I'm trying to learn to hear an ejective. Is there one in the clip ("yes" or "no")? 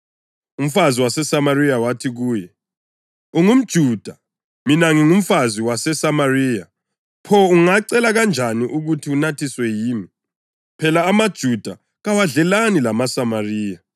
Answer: no